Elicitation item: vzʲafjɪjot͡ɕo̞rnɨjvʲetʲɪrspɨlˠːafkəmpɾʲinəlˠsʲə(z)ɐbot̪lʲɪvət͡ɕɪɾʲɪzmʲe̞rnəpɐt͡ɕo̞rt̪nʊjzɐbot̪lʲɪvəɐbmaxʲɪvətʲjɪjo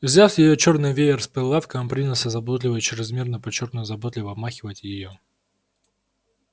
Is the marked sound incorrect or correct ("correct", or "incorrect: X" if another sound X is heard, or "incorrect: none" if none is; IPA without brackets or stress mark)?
correct